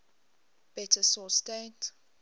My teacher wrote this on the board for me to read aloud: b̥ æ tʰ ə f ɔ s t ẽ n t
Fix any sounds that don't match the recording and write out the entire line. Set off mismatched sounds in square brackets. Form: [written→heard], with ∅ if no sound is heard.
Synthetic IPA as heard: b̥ [æ→ɛ] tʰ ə [f→s] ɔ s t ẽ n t